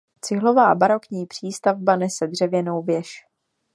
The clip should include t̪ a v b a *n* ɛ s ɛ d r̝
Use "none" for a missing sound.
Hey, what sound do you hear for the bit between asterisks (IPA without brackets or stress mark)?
n